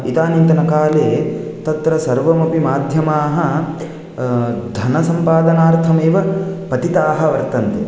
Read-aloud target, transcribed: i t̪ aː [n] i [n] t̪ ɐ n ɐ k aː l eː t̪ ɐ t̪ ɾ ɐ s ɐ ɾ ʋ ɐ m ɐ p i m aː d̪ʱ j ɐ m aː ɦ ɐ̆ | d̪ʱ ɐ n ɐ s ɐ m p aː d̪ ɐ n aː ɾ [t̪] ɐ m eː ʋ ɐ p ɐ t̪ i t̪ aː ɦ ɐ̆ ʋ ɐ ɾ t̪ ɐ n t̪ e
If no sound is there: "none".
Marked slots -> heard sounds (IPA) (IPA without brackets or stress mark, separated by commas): n, n, t̪ʰ